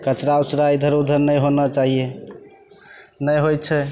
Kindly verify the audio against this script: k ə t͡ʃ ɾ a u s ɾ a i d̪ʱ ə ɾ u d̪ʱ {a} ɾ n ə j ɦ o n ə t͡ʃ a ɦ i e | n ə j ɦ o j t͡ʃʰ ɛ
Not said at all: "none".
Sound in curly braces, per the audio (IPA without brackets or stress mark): ə